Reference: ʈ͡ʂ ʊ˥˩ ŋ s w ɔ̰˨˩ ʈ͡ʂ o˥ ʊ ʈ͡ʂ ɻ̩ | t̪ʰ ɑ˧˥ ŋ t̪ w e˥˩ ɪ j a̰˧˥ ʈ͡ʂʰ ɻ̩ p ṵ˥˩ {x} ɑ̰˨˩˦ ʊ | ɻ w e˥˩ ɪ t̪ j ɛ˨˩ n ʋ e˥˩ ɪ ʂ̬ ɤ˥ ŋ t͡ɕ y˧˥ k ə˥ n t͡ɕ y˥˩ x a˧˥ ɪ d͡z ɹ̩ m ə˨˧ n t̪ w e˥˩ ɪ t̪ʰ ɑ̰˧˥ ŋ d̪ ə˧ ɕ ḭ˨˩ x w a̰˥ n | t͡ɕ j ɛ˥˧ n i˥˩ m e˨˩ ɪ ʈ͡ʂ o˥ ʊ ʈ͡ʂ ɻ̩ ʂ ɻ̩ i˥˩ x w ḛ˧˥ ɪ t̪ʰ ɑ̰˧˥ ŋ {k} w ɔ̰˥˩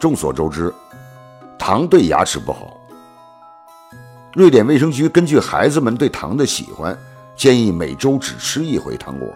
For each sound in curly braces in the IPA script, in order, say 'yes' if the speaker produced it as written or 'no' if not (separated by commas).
yes, yes